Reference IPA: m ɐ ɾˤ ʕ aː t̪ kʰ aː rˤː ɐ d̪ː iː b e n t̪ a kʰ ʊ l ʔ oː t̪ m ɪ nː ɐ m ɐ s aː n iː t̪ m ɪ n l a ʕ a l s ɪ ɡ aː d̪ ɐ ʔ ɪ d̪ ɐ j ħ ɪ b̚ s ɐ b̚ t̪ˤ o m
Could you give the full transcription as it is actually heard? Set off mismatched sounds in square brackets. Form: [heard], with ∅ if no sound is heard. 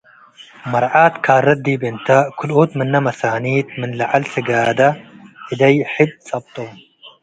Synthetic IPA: m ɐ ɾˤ ʕ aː t̪ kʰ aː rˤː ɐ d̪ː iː b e n t̪ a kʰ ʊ l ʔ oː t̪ m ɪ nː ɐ m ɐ s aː n iː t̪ m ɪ n l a ʕ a l s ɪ ɡ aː d̪ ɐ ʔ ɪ d̪ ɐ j ħ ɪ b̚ s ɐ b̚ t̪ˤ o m